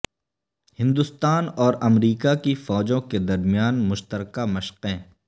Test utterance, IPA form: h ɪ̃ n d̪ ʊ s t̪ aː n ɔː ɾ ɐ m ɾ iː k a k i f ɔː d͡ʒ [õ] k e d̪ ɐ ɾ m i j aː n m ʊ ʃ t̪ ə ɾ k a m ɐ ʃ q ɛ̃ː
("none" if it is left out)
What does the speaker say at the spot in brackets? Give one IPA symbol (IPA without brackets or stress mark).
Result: õ